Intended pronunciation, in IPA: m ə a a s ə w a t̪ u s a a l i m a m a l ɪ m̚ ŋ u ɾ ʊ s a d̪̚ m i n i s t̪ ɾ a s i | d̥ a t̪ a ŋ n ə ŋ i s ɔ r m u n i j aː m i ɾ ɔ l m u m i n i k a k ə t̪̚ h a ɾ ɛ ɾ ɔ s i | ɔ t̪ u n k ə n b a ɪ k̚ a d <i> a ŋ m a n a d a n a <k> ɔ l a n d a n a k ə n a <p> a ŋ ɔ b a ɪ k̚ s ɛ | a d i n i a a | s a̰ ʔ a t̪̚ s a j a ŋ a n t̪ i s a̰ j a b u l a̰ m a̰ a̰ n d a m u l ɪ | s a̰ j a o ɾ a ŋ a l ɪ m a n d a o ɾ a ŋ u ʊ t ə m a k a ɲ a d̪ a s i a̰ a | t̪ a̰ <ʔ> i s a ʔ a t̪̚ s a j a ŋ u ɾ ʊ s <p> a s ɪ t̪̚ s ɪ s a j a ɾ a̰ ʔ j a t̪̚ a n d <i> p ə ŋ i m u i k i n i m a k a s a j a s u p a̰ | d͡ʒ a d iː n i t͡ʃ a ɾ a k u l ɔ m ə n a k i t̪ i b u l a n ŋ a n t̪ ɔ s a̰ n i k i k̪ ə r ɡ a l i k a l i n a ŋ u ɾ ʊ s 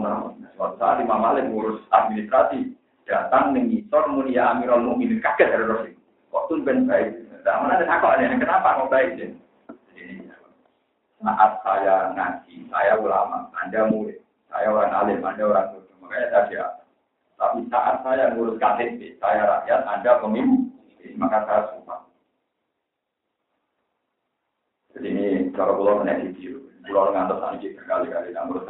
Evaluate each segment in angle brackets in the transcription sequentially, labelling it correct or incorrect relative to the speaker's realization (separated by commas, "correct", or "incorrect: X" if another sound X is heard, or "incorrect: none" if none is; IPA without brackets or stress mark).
incorrect: a, correct, correct, incorrect: p, incorrect: k, incorrect: a